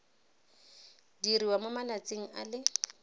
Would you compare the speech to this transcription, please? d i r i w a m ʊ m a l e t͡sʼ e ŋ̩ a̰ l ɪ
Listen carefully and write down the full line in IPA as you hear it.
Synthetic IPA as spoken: d i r i w a m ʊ m a l a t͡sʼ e ŋ̩ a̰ l ɪ